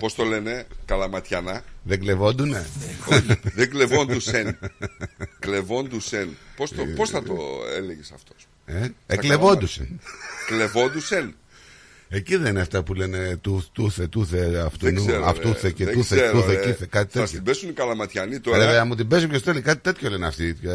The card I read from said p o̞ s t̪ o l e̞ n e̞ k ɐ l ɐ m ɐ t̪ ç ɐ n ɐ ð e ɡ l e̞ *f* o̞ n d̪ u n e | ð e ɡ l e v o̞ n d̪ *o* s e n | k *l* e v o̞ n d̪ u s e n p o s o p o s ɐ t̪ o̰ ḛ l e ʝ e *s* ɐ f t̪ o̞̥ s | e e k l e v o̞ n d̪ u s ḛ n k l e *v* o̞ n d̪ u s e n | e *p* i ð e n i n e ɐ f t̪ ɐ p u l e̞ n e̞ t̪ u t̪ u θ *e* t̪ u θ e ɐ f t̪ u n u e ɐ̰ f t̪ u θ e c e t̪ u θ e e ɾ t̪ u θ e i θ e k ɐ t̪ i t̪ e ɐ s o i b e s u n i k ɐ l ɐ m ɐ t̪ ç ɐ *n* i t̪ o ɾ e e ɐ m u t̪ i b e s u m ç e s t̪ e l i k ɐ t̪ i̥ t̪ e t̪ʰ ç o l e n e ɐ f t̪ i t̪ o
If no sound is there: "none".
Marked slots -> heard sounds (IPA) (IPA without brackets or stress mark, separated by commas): v, u, l, s, v, c, e, n